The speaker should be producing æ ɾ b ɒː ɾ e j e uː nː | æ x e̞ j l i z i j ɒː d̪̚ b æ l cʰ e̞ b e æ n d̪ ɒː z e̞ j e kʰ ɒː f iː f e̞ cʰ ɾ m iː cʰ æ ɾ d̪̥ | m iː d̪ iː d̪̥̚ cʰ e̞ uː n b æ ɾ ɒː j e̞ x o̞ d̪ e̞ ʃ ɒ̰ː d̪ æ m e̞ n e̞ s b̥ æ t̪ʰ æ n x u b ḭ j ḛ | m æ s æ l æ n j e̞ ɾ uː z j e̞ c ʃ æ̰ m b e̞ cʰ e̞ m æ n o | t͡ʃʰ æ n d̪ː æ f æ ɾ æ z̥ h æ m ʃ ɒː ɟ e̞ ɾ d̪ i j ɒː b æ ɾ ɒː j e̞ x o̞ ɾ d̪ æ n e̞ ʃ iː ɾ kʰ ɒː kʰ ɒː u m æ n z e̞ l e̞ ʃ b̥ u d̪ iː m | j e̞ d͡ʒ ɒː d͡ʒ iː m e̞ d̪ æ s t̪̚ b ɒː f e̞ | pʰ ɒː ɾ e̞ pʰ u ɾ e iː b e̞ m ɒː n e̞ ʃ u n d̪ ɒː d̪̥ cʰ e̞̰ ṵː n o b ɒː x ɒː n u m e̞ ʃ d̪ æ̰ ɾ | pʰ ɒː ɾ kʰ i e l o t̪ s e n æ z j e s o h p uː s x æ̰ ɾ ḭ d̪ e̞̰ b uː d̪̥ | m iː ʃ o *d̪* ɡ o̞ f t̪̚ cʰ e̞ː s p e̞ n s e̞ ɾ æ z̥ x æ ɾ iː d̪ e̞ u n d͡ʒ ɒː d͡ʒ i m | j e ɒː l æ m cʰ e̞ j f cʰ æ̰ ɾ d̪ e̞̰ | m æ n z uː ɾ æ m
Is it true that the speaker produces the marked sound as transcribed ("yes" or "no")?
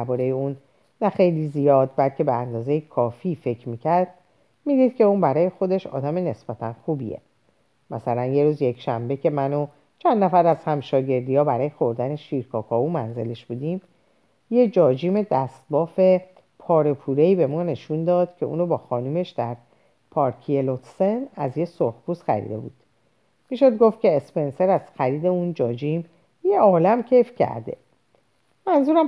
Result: yes